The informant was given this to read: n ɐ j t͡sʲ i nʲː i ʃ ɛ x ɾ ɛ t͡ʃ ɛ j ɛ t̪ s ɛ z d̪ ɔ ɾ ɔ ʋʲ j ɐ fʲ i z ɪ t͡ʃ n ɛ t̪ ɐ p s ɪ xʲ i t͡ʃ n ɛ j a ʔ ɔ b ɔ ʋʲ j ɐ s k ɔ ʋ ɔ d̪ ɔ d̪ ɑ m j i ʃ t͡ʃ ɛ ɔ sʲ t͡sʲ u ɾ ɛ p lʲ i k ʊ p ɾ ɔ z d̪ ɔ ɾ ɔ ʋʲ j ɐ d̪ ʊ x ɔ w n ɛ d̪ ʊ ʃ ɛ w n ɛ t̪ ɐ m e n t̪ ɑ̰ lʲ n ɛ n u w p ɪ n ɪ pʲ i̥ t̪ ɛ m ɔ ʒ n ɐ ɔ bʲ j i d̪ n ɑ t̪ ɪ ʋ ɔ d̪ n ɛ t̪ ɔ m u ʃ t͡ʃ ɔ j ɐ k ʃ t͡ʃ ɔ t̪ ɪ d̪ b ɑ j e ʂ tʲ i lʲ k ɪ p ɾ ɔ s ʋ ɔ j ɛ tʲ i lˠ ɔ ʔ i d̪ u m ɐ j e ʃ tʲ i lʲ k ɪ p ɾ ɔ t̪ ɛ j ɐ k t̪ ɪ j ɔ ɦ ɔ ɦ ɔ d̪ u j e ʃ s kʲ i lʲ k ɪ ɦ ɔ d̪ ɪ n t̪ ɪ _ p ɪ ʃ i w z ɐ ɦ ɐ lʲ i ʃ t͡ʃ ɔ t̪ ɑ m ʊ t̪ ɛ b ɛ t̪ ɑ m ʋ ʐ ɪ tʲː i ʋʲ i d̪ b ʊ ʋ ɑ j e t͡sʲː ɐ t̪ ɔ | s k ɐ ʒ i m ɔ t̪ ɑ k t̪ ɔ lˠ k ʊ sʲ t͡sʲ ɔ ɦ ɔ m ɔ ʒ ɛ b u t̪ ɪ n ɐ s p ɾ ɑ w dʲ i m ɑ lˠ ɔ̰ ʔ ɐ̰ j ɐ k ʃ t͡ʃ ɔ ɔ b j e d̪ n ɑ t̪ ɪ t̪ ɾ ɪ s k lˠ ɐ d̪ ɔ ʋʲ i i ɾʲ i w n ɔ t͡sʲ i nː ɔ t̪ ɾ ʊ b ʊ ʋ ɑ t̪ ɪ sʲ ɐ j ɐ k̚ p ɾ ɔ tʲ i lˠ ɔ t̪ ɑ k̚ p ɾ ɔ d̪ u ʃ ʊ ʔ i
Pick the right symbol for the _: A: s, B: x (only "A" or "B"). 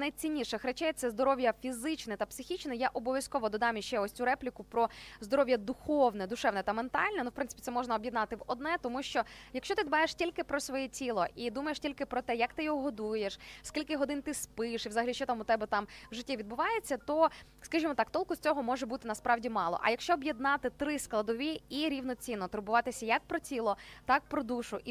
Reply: A